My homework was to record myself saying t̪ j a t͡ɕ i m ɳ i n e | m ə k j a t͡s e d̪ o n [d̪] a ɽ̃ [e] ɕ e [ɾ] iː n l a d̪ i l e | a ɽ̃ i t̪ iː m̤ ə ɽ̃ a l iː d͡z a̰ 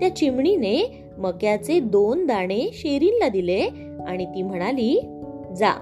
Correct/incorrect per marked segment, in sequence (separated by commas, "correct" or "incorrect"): correct, correct, correct